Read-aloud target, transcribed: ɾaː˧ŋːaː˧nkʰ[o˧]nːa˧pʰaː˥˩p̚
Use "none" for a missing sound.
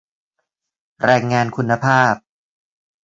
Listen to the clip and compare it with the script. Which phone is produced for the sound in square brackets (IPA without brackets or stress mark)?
u˧